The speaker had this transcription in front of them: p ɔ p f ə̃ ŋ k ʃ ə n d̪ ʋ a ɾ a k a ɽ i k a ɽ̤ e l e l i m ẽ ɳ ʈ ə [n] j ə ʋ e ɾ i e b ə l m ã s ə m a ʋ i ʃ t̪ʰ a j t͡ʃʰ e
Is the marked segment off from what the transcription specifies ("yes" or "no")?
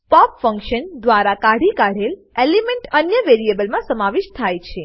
no